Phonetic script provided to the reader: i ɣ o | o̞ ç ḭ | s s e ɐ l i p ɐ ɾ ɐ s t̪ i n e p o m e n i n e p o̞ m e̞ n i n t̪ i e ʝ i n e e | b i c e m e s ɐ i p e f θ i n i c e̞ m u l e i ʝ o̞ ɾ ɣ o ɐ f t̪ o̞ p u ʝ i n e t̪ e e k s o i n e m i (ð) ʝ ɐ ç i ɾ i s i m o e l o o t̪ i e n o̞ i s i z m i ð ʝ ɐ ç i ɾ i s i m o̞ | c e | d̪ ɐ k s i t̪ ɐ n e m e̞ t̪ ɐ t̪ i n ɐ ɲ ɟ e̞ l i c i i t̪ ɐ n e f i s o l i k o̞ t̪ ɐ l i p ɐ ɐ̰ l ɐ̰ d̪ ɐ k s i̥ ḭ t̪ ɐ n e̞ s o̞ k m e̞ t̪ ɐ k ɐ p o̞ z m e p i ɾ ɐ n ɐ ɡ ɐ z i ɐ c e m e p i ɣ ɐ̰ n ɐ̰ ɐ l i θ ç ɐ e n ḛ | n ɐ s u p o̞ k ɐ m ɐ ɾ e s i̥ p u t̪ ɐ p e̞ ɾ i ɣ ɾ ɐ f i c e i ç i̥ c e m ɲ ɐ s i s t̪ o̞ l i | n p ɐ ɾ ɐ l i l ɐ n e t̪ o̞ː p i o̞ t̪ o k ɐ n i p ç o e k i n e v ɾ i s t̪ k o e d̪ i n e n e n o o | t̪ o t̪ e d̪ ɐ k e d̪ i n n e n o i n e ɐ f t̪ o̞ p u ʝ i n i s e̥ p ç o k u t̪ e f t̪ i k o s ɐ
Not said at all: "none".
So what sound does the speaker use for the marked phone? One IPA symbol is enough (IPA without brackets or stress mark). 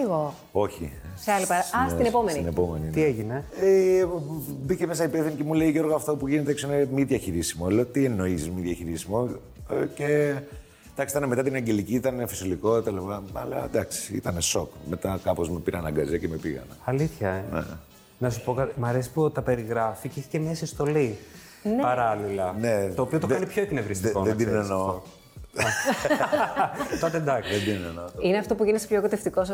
ð